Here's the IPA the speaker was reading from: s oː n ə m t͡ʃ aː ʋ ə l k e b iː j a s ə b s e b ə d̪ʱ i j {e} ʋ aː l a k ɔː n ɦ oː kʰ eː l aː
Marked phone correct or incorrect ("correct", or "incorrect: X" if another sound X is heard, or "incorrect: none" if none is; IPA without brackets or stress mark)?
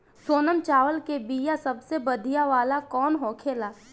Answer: incorrect: a